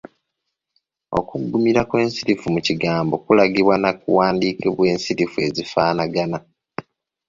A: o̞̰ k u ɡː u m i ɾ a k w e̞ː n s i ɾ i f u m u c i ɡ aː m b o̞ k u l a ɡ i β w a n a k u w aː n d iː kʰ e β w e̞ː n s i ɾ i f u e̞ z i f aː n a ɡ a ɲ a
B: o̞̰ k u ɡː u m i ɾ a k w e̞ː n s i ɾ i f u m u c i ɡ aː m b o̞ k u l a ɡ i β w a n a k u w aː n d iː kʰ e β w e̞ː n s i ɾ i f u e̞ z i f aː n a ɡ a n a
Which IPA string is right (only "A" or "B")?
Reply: B